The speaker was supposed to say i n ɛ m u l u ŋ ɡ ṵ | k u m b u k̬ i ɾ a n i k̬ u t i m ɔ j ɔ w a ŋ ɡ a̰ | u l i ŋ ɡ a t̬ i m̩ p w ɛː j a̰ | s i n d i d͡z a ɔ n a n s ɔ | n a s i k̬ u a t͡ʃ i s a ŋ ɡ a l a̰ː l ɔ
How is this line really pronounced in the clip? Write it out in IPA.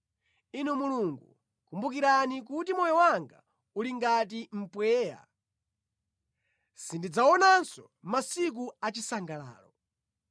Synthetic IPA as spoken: i n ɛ m u l u ŋ ɡ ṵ | k u m b u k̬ i ɾ a n i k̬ u t i m ɔ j ɔ w a ŋ ɡ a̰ | u l i ŋ ɡ a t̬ i m̩ p w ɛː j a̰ | s i n d i d͡z a ɔ n a n s ɔ | m a s i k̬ u a t͡ʃ i s a ŋ ɡ a l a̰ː l ɔ